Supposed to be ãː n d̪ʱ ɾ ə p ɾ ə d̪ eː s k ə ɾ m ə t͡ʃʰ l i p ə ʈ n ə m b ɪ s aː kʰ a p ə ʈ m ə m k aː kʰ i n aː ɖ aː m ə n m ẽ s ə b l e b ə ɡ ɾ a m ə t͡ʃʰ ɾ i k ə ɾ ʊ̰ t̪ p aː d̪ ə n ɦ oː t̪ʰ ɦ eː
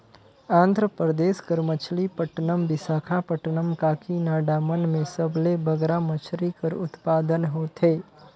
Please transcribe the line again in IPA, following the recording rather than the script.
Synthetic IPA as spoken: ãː n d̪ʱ ɾ ə p ɾ ə d̪ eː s k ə ɾ m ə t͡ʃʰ l i p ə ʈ n ə m b ɪ s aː kʰ a p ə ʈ n ə m k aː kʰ i n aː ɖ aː m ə n m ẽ s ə b l e b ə ɡ ɾ a m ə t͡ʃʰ ɾ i k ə ɾ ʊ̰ t̪ p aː d̪ ə n ɦ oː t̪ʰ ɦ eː